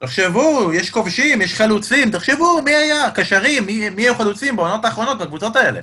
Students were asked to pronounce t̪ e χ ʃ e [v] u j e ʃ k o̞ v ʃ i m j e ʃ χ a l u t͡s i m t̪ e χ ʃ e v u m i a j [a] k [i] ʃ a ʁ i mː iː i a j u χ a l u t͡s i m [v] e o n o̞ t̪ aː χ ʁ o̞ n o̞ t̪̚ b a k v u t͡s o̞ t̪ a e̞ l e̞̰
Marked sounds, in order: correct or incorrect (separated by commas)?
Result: correct, correct, incorrect, incorrect